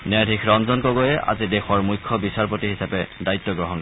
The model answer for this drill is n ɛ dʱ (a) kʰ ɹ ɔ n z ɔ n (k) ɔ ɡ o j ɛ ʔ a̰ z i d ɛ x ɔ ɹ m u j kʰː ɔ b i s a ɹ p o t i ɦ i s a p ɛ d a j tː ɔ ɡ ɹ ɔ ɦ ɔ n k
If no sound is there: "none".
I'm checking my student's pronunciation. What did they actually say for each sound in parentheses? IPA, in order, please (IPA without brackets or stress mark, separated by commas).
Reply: i, k